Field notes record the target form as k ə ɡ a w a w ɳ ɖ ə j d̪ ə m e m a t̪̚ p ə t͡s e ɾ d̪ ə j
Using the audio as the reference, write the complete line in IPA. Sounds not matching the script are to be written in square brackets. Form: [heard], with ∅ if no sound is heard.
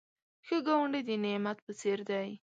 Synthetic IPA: [x] ə ɡ a w a [∅] ɳ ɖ ə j d̪ ə [n] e m a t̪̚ p ə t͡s e ɾ d̪ [a] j